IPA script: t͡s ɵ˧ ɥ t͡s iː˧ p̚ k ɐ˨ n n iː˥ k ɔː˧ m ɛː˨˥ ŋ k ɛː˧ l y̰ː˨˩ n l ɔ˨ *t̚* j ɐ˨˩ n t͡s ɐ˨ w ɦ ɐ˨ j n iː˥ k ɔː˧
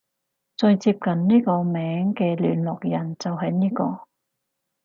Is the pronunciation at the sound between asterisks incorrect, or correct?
incorrect